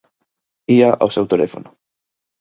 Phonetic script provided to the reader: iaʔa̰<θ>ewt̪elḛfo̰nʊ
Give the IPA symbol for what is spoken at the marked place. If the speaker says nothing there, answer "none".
s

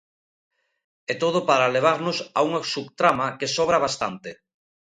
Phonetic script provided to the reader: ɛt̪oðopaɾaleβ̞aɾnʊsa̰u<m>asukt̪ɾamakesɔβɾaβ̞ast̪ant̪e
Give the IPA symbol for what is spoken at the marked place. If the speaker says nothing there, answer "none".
ŋ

